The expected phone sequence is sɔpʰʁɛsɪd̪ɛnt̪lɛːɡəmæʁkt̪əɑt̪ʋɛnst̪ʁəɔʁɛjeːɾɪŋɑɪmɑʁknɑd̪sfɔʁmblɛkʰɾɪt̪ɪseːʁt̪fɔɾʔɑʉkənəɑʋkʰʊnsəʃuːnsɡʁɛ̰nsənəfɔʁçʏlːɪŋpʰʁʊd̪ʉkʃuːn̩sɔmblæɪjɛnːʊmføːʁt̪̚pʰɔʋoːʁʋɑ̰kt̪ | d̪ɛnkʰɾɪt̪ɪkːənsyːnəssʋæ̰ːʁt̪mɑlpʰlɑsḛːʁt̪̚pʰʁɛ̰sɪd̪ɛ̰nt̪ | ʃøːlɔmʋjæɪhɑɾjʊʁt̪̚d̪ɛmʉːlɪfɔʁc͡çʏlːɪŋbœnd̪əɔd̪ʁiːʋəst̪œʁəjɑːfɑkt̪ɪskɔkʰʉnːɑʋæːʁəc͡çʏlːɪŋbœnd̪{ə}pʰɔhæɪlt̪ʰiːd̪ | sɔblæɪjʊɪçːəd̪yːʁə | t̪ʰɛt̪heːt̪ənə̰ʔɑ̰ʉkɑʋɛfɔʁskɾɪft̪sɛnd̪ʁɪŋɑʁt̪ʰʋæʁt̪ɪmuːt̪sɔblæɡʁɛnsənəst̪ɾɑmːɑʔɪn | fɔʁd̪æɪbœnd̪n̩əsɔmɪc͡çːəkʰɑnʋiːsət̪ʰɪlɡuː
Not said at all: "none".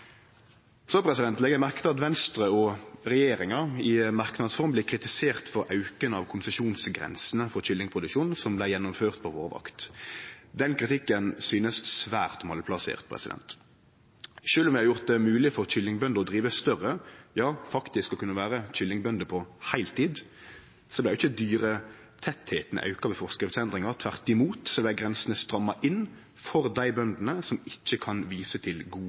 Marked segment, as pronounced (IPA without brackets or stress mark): ə